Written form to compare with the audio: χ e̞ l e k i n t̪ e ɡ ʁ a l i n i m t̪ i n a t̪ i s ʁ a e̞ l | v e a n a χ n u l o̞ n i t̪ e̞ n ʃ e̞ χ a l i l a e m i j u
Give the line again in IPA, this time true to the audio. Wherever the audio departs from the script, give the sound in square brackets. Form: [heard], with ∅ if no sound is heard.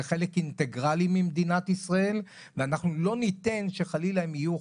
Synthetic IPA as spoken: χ e̞ l e k i n t̪ e ɡ ʁ a l i [m] i m [d̪] i n a t̪ i s ʁ a e̞ l | v e a n a χ n u l o̞ n i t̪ e̞ n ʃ e̞ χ a l i l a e m i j u